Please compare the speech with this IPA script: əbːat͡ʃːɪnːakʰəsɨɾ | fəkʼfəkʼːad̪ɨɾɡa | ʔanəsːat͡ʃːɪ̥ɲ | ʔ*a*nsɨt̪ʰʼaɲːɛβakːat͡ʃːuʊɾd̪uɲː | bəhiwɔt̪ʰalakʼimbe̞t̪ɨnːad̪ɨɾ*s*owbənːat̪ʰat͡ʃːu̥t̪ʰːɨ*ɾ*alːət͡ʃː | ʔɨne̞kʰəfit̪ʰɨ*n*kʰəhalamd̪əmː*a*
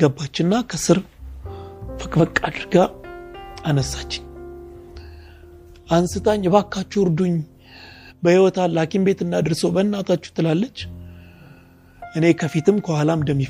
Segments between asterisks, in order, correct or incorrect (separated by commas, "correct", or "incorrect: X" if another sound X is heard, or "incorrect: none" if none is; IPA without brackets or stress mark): correct, correct, incorrect: l, incorrect: m, incorrect: i